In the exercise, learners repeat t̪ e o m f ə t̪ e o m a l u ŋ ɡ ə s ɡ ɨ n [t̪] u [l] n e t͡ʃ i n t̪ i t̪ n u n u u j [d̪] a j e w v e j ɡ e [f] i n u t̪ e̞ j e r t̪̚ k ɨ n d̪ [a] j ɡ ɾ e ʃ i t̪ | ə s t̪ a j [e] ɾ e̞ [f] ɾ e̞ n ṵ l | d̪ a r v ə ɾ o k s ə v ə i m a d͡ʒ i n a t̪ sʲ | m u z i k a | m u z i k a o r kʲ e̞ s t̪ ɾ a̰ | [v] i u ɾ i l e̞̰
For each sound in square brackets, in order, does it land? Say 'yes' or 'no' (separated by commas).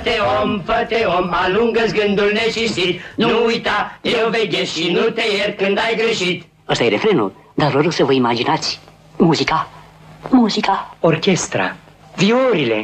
no, yes, no, no, yes, yes, yes, yes